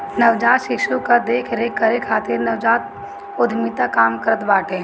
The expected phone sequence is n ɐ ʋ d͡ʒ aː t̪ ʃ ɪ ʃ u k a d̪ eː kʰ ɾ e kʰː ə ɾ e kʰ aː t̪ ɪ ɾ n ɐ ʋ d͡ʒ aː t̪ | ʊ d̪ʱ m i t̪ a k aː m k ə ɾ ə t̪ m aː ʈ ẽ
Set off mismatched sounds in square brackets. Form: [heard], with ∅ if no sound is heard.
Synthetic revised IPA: n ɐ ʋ d͡ʒ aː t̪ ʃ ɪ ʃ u k a d̪ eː kʰ ɾ e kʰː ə ɾ e kʰ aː t̪ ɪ ɾ n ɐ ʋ d͡ʒ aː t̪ | ʊ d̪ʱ m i t̪ a k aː m k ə ɾ ə t̪ [b] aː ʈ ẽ